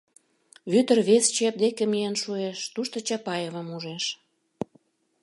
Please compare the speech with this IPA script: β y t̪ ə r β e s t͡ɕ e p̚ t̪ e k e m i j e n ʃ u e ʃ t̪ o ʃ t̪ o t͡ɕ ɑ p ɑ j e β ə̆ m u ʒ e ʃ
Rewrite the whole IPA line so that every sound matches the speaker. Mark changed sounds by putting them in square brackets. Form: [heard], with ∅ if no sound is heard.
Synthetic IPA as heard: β y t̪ ə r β e s t͡ɕ e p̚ [d̪] e k e m i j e n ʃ u e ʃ t̪ [u] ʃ t̪ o t͡ɕ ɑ p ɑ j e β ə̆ m u ʒ e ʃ